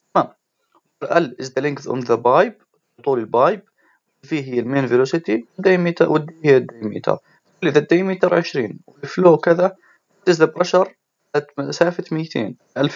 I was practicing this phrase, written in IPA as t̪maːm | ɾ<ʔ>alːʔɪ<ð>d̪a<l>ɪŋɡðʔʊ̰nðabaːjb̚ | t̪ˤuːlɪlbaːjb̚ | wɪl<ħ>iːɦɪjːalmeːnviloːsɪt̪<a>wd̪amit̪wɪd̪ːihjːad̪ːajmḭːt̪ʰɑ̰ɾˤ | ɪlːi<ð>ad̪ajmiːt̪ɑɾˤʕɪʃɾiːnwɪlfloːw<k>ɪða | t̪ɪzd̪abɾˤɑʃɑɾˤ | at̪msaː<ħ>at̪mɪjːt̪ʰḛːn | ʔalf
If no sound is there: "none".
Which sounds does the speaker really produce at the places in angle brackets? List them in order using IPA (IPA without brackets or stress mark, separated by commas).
ʔ, z, l, f, i, ð, k, f